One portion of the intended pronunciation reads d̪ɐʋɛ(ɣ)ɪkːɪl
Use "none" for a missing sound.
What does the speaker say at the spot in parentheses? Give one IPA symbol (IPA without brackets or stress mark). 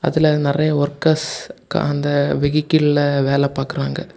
ɣ